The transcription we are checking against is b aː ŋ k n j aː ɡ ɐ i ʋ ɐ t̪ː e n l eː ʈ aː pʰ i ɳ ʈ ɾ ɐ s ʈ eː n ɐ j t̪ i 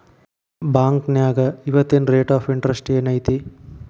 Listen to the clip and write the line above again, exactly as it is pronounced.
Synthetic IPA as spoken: b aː ŋ k n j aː ɡ ɐ i ʋ ɐ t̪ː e n ɾ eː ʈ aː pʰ i ɳ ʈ ɾ ɐ s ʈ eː n ɐ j t̪ i

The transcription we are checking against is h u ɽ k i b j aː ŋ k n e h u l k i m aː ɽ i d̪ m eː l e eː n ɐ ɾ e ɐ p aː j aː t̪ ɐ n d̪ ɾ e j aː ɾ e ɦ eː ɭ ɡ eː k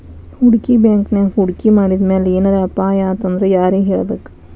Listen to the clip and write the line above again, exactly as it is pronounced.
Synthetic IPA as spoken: h u ɽ k i b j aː ŋ k n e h u ɽ k i m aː ɽ i d̪ m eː l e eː n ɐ ɾ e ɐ p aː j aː t̪ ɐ n d̪ ɾ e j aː ɾ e ɦ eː ɭ b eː k

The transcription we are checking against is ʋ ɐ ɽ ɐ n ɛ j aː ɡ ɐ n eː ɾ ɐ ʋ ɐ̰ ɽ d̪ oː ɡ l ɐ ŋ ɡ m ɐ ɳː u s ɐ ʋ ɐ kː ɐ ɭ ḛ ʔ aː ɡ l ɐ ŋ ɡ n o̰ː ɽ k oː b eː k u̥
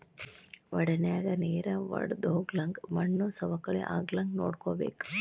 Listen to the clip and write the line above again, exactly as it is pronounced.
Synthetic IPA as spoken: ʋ ɐ ɽ ɐ n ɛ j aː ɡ ɐ n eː ɾ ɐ ʋ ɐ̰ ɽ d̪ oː ɡ l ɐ ŋ ɡ m ɐ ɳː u s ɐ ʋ ɐ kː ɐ ɭ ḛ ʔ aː ɡ l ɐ ŋ ɡ n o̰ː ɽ k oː b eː k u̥

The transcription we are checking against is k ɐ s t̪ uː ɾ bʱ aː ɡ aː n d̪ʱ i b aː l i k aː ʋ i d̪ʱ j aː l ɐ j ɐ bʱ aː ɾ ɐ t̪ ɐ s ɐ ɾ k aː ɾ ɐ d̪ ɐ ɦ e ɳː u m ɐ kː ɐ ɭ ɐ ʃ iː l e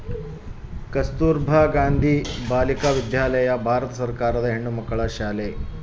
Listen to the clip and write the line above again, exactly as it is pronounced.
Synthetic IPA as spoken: k ɐ s t̪ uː ɾ bʱ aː ɡ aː n d̪ʱ i b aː l i k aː ʋ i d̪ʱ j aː l ɐ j ɐ bʱ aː ɾ ɐ t̪ ɐ s ɐ ɾ k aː ɾ ɐ d̪ ɐ ɦ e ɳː u m ɐ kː ɐ ɭ ɐ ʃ aː l e

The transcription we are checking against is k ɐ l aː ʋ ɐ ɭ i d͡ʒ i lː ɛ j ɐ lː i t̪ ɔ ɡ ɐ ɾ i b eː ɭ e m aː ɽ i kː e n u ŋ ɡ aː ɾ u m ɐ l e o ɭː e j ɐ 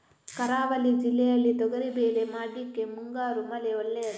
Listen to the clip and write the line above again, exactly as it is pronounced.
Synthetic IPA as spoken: k ɐ ɾ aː ʋ ɐ l i d͡ʒ i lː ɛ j ɐ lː i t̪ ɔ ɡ ɐ ɾ i b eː l e m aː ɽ i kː e m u ŋ ɡ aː ɾ u m ɐ l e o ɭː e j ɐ

